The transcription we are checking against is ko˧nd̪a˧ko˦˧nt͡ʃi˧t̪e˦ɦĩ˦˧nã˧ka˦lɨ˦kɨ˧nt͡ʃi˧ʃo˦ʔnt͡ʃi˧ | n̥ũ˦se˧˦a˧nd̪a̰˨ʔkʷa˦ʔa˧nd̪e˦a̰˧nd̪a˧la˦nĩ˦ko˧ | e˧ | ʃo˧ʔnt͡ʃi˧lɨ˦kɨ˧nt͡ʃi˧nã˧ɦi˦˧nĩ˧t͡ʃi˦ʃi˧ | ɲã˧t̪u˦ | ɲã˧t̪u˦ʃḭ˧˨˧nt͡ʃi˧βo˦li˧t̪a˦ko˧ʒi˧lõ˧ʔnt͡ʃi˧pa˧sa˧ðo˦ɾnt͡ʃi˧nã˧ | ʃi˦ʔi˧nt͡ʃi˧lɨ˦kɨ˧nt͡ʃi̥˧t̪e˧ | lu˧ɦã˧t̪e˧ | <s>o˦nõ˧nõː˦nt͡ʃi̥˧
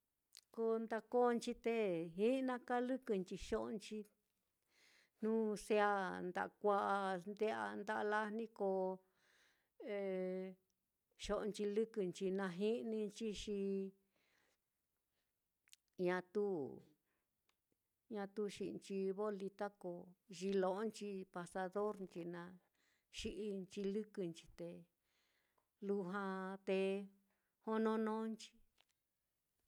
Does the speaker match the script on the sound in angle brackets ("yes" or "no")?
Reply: no